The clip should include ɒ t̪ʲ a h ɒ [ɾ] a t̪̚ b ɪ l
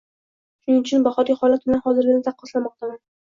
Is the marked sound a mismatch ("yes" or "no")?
yes